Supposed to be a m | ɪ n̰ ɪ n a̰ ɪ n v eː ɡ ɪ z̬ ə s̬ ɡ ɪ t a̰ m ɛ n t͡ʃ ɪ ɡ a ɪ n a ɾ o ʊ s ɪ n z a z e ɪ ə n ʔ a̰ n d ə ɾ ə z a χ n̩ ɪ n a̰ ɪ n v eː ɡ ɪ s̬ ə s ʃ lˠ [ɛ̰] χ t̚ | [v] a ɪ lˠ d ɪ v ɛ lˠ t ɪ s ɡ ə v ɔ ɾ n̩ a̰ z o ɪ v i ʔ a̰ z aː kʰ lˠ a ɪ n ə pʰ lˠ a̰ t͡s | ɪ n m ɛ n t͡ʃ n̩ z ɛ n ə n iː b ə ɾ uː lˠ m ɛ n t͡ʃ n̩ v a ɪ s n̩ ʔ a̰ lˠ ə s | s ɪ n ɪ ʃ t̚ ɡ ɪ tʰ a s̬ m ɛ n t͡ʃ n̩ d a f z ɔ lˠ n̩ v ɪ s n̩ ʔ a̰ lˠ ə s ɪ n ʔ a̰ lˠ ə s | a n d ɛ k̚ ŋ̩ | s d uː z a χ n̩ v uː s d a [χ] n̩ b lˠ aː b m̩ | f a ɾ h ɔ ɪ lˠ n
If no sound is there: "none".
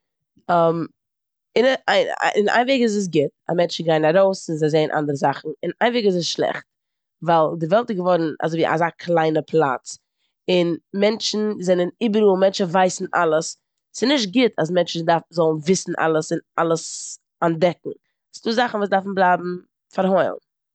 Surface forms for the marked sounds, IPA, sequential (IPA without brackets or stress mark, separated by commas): ɛ̰, v, f